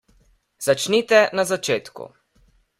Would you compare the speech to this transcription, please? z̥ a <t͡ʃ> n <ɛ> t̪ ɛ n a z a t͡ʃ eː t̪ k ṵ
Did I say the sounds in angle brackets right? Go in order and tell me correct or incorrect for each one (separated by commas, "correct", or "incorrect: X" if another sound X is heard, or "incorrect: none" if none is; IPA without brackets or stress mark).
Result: correct, incorrect: i